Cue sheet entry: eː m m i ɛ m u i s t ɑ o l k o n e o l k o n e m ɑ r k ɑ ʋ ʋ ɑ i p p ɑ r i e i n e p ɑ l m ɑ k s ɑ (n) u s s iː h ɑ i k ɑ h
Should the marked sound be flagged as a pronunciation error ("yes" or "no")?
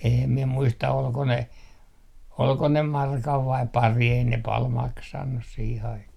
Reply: yes